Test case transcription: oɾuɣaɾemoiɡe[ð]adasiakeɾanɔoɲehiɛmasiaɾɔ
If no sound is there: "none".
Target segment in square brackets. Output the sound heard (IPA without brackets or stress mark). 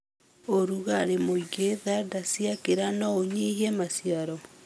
ð